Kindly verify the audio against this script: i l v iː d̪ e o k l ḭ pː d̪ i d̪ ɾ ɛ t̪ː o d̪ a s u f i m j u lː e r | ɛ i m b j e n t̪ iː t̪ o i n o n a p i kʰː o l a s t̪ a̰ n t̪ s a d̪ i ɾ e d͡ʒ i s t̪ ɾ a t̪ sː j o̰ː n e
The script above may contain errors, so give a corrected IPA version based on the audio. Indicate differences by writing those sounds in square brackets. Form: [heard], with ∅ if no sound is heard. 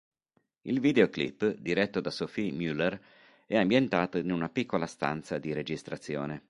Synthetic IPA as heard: i l v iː d̪ e o k l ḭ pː d̪ i [∅] ɾ ɛ t̪ː o d̪ a s [o] f i m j u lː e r | ɛ [a] m b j e n t̪ [aː] t̪ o i n [u] n a p i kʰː o l a s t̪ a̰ n t̪ s a d̪ i ɾ e d͡ʒ i s t̪ ɾ a t̪ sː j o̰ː n e